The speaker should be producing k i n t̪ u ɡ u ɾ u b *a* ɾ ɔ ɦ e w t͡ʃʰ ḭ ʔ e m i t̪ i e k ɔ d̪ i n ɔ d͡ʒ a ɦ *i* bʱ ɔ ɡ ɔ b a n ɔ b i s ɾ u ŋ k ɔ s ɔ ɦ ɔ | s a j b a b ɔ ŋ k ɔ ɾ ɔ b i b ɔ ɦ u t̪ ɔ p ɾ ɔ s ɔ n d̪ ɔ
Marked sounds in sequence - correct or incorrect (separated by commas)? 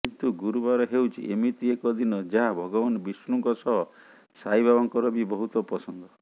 correct, incorrect